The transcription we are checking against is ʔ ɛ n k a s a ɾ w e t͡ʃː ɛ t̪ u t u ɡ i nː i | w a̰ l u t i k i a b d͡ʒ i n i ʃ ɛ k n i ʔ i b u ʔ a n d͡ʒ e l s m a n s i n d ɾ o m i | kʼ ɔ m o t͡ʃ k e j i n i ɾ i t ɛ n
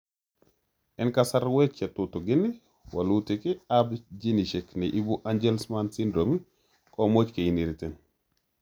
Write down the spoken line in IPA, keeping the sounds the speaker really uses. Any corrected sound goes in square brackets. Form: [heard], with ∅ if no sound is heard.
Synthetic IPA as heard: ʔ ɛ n k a s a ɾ w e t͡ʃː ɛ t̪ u t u ɡ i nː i | w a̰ l u t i k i a b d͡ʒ i n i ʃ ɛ k n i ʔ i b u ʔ a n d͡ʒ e l s m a n s i n d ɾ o m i | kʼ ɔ m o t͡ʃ k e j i n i ɾ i t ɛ n